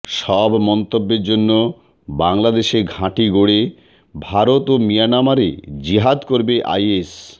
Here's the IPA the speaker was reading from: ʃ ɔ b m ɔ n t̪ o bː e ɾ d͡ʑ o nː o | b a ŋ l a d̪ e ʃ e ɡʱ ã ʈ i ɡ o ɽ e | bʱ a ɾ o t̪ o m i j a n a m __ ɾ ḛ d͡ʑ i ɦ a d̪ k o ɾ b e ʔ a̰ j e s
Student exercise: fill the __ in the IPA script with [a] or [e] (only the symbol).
a